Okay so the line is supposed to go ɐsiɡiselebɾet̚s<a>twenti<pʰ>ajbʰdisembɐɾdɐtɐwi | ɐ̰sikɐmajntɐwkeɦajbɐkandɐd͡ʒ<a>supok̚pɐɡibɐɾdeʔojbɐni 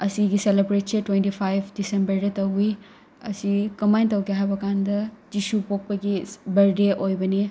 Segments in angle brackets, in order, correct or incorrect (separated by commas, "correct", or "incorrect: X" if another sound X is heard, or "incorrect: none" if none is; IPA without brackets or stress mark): incorrect: e, correct, incorrect: i